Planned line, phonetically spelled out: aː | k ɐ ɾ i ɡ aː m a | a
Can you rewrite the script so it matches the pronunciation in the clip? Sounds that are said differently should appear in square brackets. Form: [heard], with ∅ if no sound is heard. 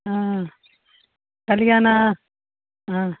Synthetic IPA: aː | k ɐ [l] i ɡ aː [n] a | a

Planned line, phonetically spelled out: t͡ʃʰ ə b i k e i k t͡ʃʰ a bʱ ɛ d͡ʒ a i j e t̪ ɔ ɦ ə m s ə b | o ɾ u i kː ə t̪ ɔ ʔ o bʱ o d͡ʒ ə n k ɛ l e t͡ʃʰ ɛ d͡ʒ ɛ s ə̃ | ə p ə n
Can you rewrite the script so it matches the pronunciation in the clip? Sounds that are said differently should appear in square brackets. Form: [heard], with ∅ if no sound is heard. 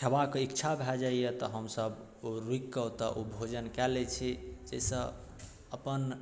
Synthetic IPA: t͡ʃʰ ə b [a] k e i k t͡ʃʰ a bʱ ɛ d͡ʒ a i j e t̪ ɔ ɦ ə m s ə b | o ɾ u i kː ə t̪ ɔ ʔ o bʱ o d͡ʒ ə n k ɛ l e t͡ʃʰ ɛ d͡ʒ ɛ s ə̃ | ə p ə n

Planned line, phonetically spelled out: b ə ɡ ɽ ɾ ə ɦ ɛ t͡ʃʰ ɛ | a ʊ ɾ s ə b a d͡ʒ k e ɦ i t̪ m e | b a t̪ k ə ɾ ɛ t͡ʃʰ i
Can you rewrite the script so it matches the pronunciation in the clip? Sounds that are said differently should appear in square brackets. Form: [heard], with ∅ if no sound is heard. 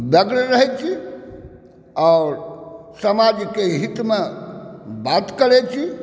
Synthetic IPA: b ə ɡ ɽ ɾ ə ɦ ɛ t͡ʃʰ [i] | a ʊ ɾ s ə [m] a d͡ʒ k e ɦ i t̪ m e | b a t̪ k ə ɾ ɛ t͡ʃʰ i

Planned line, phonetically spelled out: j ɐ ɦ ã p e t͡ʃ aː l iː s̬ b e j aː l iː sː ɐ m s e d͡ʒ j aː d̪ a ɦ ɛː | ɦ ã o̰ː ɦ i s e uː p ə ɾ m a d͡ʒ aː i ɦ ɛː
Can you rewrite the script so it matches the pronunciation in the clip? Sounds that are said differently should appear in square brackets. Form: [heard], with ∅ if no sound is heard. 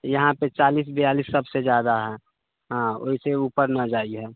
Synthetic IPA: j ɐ ɦ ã p e t͡ʃ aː l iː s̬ b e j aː l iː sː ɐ [b] s e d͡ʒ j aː d̪ a ɦ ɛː | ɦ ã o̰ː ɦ i s e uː p ə ɾ [n] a d͡ʒ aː i ɦ ɛː

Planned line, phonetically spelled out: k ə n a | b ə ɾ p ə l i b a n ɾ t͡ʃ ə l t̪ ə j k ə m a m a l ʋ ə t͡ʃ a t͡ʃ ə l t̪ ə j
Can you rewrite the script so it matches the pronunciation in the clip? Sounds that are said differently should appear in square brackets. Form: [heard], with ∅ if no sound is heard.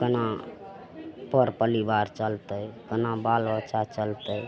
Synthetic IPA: k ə n a | [p] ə ɾ p ə l i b a [∅] ɾ t͡ʃ ə l t̪ ə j k ə [n] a [b] a l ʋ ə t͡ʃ a t͡ʃ ə l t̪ ə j

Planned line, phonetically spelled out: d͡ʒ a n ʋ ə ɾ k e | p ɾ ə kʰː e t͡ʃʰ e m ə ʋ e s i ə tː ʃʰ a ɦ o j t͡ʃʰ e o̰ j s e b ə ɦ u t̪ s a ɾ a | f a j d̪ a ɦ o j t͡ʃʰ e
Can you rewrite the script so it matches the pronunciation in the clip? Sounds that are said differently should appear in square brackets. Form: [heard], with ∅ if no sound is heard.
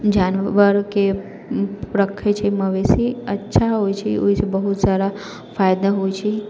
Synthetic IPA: d͡ʒ a n ʋ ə ɾ k e | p ɾ ə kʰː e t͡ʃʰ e m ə ʋ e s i ə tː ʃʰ a ɦ o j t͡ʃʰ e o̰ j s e b ə ɦ u t̪ s a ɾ a | f a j d̪ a ɦ o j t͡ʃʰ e

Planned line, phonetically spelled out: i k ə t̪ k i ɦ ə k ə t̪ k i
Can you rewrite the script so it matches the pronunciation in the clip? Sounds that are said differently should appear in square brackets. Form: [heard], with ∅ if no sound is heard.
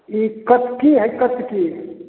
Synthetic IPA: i k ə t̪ k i ɦ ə k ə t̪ k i

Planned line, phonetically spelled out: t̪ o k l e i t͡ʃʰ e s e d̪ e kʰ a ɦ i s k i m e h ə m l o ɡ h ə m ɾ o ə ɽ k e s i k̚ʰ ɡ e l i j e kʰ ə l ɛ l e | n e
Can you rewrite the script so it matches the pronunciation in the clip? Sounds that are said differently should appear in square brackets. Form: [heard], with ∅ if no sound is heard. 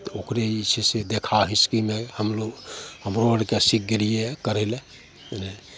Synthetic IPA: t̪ o k [ɾ] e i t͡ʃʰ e s e d̪ e kʰ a ɦ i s k i m e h ə m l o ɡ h ə m ɾ o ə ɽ k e s i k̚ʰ ɡ e l i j e [k] ə [ɾ] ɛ l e | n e

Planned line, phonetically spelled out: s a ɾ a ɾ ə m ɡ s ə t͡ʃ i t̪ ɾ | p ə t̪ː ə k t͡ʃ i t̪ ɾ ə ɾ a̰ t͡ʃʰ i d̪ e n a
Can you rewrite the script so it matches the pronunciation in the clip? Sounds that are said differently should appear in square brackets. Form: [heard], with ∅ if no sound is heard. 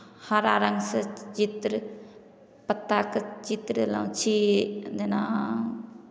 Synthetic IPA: [h] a ɾ a ɾ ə [ŋ] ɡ s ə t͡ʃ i t̪ ɾ | p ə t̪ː [a] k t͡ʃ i t̪ ɾ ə [l] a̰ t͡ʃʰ i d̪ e n a

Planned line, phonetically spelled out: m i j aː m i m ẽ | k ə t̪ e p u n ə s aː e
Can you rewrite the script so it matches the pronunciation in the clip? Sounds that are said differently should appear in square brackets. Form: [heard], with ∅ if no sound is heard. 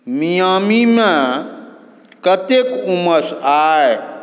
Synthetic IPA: m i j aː m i m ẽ | k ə t̪ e [k] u [m] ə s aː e

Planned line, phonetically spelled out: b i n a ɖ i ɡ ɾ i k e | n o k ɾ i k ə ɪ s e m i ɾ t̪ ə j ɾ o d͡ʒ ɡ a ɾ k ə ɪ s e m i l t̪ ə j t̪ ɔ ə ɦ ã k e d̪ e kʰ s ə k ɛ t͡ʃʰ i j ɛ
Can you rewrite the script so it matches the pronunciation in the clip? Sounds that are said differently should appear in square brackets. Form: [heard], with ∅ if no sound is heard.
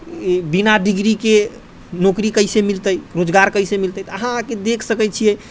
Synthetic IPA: b i n a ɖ i ɡ ɾ i k e | n o k ɾ i k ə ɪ s e m i [l] t̪ ə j ɾ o d͡ʒ ɡ a ɾ k ə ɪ s e m i l t̪ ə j t̪ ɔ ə ɦ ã k e d̪ e kʰ s ə k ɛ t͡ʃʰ i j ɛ

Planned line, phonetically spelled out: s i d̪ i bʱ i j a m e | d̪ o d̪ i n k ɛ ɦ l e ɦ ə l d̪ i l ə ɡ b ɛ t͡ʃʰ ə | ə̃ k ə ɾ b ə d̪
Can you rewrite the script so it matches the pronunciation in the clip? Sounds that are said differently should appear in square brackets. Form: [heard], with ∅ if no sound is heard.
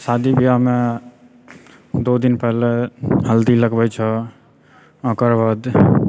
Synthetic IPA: s [a] d̪ i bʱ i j a m e | d̪ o d̪ i n [p] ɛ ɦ l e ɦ ə l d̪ i l ə ɡ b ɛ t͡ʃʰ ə | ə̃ k ə ɾ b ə d̪

